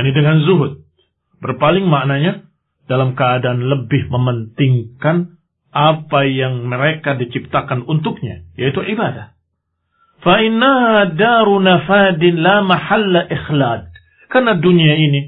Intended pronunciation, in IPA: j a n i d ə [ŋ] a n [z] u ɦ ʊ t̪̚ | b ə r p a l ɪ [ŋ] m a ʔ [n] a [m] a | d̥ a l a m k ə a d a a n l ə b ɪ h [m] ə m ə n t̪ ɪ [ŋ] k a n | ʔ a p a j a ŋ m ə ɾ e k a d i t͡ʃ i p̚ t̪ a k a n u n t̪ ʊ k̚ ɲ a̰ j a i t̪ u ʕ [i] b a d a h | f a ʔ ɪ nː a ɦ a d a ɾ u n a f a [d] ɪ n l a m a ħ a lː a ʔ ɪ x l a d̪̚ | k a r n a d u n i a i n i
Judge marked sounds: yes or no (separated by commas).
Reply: yes, yes, yes, yes, no, yes, yes, yes, yes